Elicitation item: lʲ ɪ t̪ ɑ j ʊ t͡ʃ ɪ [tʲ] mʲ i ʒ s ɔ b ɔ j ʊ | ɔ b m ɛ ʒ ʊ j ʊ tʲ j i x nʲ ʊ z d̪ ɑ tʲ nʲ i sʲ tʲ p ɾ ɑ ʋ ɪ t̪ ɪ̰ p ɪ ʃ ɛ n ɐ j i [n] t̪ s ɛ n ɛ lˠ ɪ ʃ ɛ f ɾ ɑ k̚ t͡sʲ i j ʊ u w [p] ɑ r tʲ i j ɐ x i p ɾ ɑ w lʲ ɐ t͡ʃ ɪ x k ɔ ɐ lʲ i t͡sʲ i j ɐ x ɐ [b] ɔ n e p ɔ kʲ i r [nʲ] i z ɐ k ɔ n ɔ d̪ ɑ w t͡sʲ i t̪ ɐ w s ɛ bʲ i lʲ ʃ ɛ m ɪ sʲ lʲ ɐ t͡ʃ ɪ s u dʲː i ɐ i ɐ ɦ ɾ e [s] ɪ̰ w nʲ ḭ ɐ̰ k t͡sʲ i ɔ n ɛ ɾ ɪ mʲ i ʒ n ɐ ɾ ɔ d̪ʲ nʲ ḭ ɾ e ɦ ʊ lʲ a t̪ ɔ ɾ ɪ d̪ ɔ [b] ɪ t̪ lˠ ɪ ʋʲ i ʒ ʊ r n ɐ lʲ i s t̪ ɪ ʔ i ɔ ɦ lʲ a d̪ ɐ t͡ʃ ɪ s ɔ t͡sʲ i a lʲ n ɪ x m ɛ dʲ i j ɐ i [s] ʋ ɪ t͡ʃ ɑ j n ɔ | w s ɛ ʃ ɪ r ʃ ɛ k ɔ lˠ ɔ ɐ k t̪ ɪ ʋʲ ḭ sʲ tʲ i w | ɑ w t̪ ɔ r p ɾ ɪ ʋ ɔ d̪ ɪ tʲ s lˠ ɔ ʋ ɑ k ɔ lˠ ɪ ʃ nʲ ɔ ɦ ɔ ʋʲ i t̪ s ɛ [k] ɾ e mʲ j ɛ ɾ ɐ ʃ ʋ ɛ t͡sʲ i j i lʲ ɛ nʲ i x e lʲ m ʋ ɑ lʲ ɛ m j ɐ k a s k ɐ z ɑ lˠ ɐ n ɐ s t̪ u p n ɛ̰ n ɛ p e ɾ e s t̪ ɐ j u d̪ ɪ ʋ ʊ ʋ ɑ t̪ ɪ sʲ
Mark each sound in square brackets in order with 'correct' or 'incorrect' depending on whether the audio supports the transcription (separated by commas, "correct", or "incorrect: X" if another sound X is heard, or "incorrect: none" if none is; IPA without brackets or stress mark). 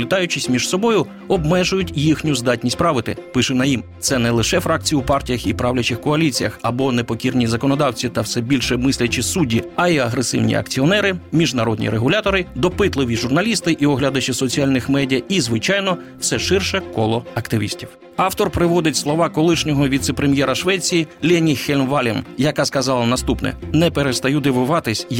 incorrect: sʲ, incorrect: m, correct, correct, correct, correct, incorrect: p, incorrect: z, incorrect: p